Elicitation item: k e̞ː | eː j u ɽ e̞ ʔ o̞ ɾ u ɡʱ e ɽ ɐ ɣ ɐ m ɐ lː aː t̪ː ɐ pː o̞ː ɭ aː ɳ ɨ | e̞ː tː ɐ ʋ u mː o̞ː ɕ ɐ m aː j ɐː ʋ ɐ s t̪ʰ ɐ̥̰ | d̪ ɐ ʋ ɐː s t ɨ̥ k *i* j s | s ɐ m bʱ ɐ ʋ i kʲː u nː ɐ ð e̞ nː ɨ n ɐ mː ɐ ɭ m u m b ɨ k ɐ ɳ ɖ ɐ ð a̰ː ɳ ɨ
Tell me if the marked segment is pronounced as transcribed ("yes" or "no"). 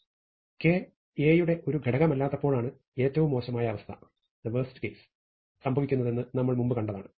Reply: no